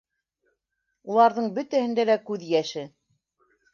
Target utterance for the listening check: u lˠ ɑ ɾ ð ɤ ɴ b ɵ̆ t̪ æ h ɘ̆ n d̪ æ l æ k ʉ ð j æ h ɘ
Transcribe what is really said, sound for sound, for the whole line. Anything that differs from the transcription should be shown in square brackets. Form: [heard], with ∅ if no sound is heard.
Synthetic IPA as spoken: u lˠ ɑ ɾ ð ɤ ɴ b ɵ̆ t̪ æ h ɘ̆ n d̪ æ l æ k ʉ ð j æ [ʃ] ɘ